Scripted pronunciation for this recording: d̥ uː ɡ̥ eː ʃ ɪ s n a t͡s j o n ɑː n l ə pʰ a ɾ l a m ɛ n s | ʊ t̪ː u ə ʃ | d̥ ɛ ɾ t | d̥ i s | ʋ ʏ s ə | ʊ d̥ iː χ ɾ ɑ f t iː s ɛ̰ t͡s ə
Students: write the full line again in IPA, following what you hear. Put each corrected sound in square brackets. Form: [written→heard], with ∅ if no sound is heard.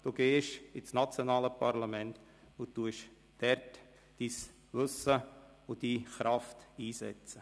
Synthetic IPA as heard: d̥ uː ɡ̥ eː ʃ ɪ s n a t͡s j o n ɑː [n→∅] l ə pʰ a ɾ l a m ɛ n [s→t] | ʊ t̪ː u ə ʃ | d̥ ɛ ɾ t | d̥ i s | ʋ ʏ s ə | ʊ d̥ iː χ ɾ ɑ f t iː s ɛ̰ t͡s ə